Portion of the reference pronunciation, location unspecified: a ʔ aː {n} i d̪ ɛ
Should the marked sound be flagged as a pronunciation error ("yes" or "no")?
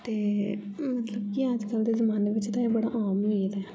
yes